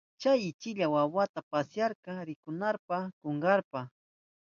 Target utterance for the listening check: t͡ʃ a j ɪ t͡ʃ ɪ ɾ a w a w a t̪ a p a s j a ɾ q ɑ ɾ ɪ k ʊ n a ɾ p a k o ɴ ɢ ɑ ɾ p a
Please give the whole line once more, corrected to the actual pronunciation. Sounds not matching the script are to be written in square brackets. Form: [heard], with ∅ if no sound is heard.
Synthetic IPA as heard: t͡ʃ a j ɪ t͡ʃ ɪ [ʎ] a w a w a t̪ a p a s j a ɾ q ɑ ɾ ɪ k ʊ n a ɾ p a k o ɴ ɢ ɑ ɾ p a